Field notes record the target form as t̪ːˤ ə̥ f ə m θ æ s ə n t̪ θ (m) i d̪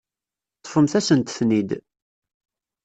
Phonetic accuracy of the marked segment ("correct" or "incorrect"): incorrect